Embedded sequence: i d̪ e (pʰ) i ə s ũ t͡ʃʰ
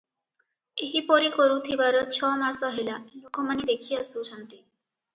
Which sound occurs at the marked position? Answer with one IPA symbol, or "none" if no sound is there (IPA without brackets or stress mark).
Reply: kʰ